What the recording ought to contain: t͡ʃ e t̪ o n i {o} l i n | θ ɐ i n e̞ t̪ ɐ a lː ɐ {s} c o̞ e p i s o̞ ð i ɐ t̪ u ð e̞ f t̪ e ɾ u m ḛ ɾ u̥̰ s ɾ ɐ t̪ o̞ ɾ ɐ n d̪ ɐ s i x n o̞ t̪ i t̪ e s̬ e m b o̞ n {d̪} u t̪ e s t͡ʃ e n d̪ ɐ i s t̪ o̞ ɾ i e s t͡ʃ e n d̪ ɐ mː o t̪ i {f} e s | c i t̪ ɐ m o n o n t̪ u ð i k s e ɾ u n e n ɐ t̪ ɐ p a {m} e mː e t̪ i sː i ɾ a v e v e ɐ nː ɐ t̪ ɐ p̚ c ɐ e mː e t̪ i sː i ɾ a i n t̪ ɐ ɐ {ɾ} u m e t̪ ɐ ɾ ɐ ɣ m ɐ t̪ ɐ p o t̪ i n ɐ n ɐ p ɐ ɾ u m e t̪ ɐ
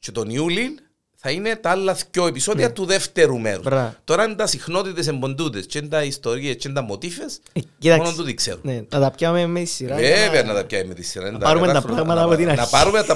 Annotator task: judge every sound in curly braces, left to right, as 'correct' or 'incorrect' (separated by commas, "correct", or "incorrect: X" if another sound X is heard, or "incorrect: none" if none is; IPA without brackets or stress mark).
incorrect: u, incorrect: θ, correct, correct, correct, correct